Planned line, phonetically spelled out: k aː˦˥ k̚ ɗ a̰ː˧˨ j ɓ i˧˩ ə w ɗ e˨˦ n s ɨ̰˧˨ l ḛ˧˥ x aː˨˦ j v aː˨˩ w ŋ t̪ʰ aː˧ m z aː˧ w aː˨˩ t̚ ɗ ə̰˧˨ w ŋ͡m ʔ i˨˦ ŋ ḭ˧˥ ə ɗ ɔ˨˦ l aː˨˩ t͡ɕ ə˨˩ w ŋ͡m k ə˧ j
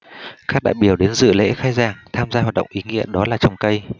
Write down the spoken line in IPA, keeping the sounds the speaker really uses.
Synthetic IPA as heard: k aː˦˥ k̚ ɗ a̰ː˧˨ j ɓ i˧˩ ə w ɗ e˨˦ n z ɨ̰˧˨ l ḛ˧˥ x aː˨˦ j z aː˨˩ ŋ t̪ʰ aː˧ m z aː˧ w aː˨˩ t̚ ɗ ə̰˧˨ w ŋ͡m ʔ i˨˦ ŋ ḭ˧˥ ə ɗ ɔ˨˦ l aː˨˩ t͡ɕ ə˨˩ w ŋ͡m k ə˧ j